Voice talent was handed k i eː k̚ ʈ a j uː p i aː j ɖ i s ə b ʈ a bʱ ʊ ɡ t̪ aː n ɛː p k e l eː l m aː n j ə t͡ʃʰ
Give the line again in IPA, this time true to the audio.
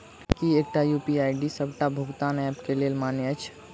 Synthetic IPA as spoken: k i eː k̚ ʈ a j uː p i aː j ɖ i s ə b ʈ a bʱ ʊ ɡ t̪ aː n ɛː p k e l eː l m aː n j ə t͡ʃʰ